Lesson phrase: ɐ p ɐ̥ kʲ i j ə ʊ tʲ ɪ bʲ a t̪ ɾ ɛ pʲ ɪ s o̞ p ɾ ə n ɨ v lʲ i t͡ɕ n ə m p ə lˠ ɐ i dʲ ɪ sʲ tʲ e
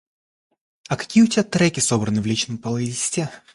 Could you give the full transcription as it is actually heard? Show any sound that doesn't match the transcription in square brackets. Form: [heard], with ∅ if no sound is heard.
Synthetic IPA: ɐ [k] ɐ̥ kʲ i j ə ʊ tʲ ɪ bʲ a t̪ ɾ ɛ [kʲ] ɪ s o̞ [b] ɾ ə n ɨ v lʲ i t͡ɕ n ə m p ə lˠ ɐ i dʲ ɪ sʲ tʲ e